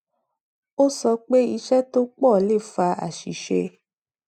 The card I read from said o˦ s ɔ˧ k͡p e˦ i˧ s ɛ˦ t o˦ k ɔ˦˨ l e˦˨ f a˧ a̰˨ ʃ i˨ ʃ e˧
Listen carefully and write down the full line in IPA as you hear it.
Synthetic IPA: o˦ s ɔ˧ k͡p e˦ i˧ ʃ ɛ˦ t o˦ k͡p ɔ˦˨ l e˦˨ f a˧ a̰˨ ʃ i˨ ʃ e˧